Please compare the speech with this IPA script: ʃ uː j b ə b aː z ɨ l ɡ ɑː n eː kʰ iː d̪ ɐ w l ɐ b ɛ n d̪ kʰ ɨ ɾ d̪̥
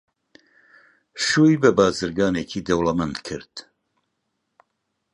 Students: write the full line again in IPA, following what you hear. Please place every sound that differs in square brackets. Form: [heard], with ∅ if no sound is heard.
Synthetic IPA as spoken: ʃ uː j b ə b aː z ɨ [ɾ] ɡ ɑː n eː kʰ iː d̪ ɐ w l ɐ [m] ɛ n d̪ kʰ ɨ ɾ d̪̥